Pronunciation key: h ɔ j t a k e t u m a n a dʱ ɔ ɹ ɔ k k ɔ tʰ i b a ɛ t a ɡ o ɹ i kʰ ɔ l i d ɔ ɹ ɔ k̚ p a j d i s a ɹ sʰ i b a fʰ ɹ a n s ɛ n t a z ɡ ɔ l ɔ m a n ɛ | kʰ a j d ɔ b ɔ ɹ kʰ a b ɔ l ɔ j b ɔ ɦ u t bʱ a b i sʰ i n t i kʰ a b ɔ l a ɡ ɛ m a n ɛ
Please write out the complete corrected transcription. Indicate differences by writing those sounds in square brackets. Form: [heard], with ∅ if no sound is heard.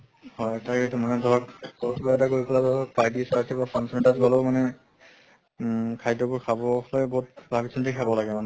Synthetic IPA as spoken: h ɔ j t a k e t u m a n [ɛ] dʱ ɔ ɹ ɔ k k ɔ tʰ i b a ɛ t a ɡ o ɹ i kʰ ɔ l [a] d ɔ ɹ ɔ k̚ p a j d i s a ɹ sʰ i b a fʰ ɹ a n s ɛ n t a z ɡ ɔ l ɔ m a n ɛ | kʰ a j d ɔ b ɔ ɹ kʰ a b ɔ l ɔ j b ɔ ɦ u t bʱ a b i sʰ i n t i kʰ a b ɔ l a ɡ ɛ m a n ɛ